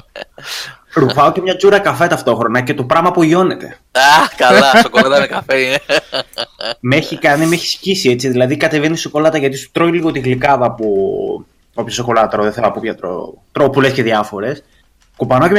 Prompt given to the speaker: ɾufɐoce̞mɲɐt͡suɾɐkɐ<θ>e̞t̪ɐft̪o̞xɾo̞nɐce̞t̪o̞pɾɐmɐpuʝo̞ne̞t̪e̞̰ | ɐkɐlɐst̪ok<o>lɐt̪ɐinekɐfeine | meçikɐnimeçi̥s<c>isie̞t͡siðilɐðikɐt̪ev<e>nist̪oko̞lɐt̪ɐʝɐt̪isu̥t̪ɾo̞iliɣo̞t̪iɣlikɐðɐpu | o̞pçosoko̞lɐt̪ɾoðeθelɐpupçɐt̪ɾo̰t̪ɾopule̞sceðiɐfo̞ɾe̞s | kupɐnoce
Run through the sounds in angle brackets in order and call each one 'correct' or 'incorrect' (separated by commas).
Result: incorrect, correct, correct, correct